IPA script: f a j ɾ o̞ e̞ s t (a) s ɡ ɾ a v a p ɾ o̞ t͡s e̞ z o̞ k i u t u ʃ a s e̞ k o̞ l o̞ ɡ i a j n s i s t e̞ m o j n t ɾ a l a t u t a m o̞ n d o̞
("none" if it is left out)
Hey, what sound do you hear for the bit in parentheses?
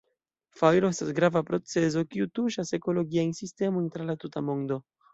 a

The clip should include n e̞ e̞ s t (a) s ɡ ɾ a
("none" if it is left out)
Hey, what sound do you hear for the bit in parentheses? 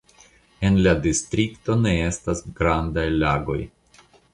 a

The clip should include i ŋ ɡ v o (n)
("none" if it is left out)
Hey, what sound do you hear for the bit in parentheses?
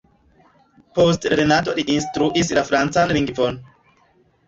n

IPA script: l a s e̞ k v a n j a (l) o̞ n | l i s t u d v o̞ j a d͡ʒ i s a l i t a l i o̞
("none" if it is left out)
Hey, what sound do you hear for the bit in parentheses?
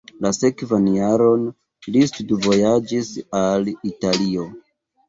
ɾ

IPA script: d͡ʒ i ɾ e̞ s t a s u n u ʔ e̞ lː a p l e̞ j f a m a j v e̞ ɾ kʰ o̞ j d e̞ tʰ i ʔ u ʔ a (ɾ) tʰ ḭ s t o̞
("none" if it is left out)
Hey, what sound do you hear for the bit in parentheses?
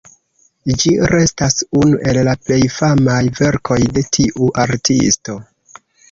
ɾ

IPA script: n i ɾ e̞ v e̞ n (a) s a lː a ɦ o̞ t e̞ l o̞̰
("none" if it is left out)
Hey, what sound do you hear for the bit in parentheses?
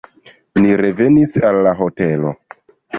i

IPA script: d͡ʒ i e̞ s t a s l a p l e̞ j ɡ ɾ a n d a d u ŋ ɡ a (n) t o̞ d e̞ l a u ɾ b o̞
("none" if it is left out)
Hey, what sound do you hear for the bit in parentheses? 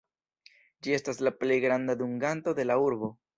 n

